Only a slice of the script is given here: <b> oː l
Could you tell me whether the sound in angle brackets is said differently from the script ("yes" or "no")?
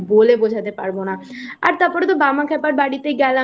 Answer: no